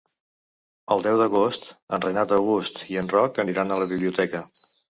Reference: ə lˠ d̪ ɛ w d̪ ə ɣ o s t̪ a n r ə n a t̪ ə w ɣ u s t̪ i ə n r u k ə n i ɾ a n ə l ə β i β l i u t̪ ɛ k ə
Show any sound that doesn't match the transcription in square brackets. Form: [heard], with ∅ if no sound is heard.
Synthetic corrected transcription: ə lˠ d̪ ɛ w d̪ ə ɣ o s t̪ [ə] n r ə n a t̪ ə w ɣ u s t̪ i ə n r [ɔ] k ə n i ɾ a n ə l ə β i β l i u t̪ ɛ k ə